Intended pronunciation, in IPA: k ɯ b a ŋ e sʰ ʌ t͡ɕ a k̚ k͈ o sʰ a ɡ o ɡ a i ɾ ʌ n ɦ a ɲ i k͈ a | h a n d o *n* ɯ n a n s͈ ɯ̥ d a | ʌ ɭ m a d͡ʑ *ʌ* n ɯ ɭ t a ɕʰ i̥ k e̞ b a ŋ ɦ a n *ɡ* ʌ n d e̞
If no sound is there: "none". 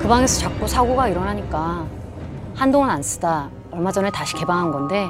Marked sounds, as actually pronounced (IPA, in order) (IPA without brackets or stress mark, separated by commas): ŋ, ʌ, ɡ